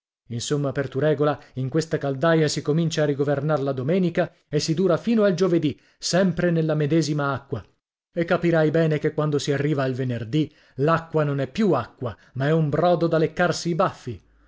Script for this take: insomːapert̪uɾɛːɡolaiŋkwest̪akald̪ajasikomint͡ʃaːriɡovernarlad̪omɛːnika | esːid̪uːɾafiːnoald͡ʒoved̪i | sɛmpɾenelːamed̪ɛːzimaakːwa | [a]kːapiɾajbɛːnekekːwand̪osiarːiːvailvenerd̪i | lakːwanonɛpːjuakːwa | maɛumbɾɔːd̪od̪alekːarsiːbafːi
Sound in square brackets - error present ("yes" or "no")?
yes